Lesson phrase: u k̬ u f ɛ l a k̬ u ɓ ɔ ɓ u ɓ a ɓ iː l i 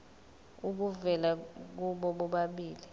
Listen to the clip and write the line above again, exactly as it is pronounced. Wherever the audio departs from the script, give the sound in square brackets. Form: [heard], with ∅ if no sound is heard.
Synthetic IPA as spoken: u k̬ u [v] ɛ l a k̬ u ɓ ɔ ɓ [ɔ] ɓ a ɓ iː l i